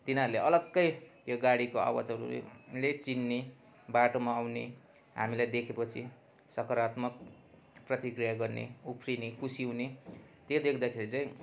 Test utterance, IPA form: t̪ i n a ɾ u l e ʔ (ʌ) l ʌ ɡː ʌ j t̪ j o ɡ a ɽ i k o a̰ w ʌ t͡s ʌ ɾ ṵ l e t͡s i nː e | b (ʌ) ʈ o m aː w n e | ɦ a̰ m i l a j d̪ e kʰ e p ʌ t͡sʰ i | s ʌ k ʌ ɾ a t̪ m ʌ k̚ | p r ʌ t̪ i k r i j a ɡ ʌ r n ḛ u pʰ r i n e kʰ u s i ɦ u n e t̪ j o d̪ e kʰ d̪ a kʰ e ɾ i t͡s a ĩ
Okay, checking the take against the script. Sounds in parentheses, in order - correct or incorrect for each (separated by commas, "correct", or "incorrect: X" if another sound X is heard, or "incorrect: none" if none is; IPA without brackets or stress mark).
correct, incorrect: a